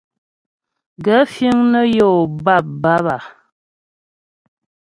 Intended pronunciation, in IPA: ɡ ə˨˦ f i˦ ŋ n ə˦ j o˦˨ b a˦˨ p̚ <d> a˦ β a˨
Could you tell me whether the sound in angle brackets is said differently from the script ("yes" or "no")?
yes